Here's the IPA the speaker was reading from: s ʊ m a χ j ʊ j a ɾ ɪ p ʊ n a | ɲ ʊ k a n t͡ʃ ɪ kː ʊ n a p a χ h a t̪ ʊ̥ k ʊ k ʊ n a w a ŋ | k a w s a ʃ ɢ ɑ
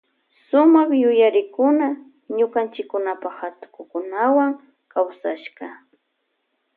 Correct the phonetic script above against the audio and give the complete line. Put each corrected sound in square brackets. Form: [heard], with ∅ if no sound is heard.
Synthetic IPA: s ʊ m a χ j ʊ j a ɾ ɪ [k] ʊ n a | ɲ ʊ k a n t͡ʃ ɪ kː ʊ n a p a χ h a t̪ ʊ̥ k ʊ k ʊ n a w a ŋ | k a w s a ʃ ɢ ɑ